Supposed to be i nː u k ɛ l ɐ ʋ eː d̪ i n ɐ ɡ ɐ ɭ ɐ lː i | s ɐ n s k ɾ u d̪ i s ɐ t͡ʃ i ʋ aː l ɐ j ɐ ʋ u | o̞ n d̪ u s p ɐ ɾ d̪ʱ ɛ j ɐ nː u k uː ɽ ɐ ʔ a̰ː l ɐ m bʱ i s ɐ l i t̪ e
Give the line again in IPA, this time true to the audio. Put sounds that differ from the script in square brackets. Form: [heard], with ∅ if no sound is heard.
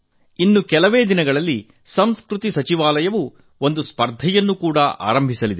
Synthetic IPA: i nː u k ɛ l ɐ ʋ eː d̪ i n ɐ ɡ ɐ ɭ ɐ lː i | s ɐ [m] s k ɾ u [t̪] i s ɐ t͡ʃ i ʋ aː l ɐ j ɐ ʋ u | o̞ n d̪ u s p ɐ ɾ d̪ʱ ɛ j ɐ nː u k uː ɽ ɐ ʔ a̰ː [ɾ] ɐ m bʱ i s ɐ l i [d̪] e

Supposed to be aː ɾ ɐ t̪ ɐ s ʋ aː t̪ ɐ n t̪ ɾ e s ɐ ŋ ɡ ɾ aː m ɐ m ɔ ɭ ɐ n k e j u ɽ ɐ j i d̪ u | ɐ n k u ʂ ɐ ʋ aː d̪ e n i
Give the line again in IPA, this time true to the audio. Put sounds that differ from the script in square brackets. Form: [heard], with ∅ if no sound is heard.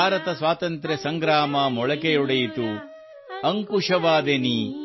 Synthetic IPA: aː ɾ ɐ t̪ ɐ s ʋ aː t̪ ɐ n t̪ ɾ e s ɐ ŋ ɡ ɾ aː m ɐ m ɔ ɭ ɐ [∅] k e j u ɽ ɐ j i [t̪] u | ɐ [ŋ] k u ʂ ɐ ʋ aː d̪ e n i

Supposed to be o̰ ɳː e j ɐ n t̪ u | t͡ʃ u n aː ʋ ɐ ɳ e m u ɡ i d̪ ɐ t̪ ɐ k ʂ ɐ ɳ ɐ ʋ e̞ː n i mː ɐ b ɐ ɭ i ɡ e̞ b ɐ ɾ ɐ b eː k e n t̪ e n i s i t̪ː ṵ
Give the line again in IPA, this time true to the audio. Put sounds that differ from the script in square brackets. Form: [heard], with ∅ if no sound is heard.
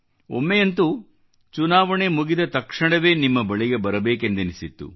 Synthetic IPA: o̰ [mː] e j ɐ n t̪ u | t͡ʃ u n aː ʋ ɐ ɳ e m u ɡ i d̪ ɐ t̪ ɐ k ʂ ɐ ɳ ɐ ʋ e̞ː n i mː ɐ b ɐ ɭ i ɡ e̞ b ɐ ɾ ɐ b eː k e n [d̪] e n i s i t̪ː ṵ

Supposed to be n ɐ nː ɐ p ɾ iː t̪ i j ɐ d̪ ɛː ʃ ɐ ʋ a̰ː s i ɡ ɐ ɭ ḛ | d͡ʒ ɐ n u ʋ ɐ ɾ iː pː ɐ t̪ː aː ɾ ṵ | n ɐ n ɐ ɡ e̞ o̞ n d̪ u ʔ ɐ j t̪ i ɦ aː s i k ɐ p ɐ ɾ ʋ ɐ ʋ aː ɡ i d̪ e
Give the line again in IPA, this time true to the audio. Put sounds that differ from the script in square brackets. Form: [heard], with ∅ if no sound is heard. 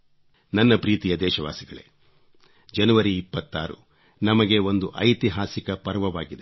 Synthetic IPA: n ɐ nː ɐ p ɾ iː t̪ i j ɐ d̪ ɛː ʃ ɐ ʋ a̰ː s i ɡ ɐ ɭ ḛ | d͡ʒ ɐ n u ʋ ɐ ɾ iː pː ɐ t̪ː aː ɾ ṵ | n ɐ [m] ɐ ɡ e̞ o̞ n d̪ u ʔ ɐ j t̪ i ɦ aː s i k ɐ p ɐ ɾ ʋ ɐ ʋ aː ɡ i d̪ e

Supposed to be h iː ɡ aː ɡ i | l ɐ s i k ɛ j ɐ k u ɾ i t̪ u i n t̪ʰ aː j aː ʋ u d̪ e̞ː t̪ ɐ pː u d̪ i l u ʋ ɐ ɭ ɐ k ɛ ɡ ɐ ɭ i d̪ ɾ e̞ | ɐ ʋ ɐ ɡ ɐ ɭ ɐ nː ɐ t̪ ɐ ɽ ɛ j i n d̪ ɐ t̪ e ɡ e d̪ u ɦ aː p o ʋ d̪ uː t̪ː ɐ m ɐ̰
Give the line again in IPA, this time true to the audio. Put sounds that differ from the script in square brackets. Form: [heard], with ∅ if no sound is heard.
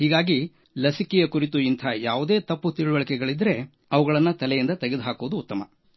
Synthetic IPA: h iː ɡ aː ɡ i | l ɐ s i k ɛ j ɐ k u ɾ i t̪ u i n t̪ʰ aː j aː ʋ u d̪ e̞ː t̪ ɐ pː u [t̪] i [ɭ] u ʋ ɐ ɭ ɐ k ɛ ɡ ɐ ɭ i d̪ ɾ e̞ | ɐ ʋ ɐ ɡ ɐ ɭ ɐ nː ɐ t̪ ɐ [l] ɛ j i n d̪ ɐ t̪ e ɡ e d̪ u ɦ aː [k] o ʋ d̪ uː t̪ː ɐ m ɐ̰

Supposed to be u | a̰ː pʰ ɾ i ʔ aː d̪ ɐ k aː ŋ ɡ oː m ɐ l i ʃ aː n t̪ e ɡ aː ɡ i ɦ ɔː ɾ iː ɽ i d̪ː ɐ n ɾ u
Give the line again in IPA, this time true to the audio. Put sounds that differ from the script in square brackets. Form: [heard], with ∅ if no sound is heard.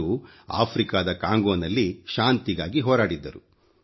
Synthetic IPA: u | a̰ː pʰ ɾ i [k] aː d̪ ɐ k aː ŋ ɡ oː [n] ɐ [lː] i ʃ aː n t̪ [i] ɡ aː ɡ i ɦ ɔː ɾ [aː] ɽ i d̪ː ɐ [∅] ɾ u

